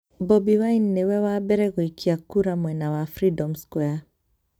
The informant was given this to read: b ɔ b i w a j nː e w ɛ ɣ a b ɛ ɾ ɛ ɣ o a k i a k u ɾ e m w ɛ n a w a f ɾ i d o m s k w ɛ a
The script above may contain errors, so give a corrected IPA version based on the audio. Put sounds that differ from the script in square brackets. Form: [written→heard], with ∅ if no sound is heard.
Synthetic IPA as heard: b ɔ b i w a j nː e w ɛ [ɣ→w] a b ɛ ɾ ɛ ɣ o [a→i] k i a k u ɾ [e→a] m w ɛ n a w a f ɾ i d [o→ɔ] m s k w ɛ a